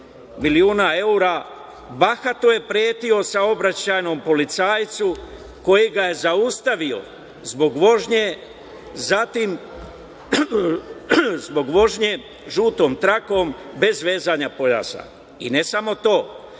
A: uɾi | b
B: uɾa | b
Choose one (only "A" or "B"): B